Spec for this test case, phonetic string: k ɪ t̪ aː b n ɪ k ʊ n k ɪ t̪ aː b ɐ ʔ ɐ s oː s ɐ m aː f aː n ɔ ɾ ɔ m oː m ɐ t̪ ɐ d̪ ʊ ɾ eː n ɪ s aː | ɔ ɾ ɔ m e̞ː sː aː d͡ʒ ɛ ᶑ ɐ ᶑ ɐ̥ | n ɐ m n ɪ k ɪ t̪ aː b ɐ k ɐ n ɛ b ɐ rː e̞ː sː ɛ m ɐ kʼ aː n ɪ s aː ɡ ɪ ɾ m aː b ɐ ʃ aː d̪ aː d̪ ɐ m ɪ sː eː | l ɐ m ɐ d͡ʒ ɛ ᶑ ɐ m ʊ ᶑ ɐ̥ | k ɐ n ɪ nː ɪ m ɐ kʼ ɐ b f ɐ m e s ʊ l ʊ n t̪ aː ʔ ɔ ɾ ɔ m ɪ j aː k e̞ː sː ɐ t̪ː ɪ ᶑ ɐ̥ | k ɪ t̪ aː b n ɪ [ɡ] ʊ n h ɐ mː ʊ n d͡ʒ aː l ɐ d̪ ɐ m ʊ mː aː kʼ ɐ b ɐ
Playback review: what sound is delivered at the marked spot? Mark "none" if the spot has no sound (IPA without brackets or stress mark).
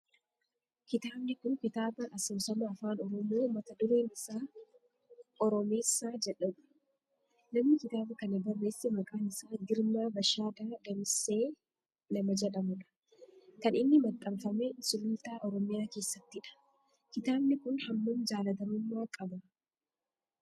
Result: k